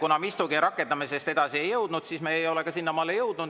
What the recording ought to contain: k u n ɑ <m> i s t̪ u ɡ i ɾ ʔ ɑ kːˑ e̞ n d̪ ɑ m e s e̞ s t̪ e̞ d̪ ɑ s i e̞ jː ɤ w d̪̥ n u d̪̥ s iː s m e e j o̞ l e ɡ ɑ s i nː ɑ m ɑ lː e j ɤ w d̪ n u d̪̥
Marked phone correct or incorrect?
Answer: correct